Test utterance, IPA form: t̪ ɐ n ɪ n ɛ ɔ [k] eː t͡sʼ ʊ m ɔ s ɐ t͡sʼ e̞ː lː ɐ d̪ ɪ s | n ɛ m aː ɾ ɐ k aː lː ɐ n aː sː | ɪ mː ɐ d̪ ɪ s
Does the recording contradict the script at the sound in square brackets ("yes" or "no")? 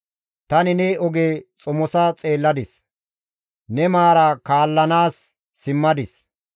yes